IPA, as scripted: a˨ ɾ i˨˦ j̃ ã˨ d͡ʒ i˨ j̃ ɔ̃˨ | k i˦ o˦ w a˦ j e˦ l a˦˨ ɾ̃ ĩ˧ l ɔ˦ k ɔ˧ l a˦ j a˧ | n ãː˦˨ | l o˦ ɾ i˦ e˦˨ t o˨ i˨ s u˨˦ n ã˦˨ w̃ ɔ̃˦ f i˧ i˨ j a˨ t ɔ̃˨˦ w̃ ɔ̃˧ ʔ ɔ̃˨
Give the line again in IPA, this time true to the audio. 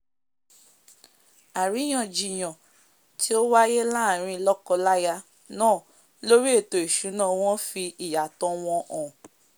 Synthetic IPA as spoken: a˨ ɾ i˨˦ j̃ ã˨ d͡ʒ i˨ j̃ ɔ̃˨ | t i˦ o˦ w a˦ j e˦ l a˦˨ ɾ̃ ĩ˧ l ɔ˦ k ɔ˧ l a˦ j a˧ | n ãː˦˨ | l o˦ ɾ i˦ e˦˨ t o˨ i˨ ʃ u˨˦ n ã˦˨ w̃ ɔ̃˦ f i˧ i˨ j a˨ t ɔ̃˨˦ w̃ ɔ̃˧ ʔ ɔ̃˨